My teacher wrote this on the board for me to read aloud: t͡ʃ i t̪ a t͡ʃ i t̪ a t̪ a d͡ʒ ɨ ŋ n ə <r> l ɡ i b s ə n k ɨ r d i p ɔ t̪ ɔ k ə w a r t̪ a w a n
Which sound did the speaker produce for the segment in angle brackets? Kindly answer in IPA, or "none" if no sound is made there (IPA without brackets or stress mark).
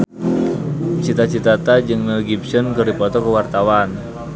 none